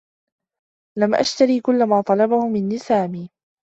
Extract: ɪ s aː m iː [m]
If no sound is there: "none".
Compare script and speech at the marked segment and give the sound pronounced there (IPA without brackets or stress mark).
none